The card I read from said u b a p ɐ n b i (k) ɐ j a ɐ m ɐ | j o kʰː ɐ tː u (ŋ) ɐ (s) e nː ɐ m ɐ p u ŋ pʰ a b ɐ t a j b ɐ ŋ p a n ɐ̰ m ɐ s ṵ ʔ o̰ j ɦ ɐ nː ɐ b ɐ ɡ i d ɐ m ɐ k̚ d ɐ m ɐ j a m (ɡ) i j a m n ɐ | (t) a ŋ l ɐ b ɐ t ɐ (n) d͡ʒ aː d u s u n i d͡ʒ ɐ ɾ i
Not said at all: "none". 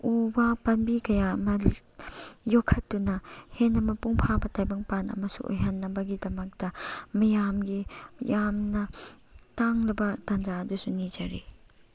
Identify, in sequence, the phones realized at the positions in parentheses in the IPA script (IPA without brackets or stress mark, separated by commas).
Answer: k, n, h, ɡ, t, n